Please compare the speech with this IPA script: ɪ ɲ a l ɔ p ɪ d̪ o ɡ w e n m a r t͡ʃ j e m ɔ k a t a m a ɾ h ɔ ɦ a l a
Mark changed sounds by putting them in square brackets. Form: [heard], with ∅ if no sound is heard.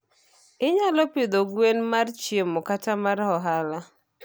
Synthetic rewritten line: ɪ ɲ a l ɔ p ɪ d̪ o ɡ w e n m a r t͡ʃ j e m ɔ k a t a m a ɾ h ɔ ɦ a l a